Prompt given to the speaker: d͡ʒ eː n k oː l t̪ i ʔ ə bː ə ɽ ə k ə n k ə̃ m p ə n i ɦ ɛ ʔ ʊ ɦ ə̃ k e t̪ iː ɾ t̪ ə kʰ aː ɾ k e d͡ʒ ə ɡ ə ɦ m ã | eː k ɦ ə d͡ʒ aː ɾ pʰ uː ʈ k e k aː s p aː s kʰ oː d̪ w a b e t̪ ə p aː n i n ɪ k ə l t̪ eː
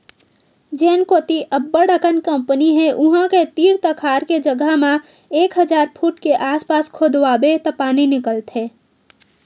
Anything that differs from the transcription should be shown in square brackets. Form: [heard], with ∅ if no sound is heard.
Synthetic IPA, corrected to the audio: d͡ʒ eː n k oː [∅] t̪ i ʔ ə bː ə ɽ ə k ə n k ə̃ m p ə n i ɦ ɛ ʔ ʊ ɦ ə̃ k e t̪ iː ɾ t̪ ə kʰ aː ɾ k e d͡ʒ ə ɡ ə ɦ m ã | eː k ɦ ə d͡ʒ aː ɾ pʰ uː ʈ k e [ʔ] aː s p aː s kʰ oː d̪ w a b e t̪ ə p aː n i n ɪ k ə l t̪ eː